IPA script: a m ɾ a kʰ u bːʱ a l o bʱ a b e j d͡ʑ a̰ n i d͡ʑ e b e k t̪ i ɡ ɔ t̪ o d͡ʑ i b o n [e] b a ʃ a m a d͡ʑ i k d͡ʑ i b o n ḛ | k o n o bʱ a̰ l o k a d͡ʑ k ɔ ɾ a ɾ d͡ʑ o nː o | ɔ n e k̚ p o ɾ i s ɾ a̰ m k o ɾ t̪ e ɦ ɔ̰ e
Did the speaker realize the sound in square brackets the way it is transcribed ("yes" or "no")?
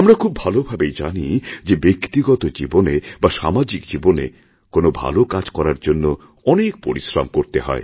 yes